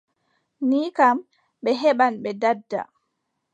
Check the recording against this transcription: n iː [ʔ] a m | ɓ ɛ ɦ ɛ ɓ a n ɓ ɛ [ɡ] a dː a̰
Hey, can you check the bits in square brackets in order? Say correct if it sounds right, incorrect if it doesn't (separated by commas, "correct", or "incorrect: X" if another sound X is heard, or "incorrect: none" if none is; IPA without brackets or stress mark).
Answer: incorrect: k, incorrect: d